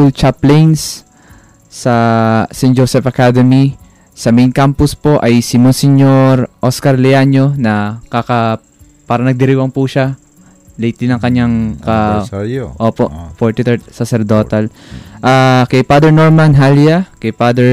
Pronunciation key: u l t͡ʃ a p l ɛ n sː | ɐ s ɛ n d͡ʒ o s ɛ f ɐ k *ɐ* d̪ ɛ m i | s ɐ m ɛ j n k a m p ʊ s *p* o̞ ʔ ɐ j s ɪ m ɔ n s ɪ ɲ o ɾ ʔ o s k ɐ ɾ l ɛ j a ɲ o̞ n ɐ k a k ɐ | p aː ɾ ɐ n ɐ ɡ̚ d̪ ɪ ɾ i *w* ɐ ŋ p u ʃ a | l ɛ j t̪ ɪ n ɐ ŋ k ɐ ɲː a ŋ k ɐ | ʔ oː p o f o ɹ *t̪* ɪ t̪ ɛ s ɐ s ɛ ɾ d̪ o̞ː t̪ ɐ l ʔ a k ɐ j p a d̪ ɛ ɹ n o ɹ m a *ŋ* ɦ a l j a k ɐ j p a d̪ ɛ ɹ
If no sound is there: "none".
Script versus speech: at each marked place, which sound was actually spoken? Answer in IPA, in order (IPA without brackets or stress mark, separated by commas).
a, p, w, t̪, n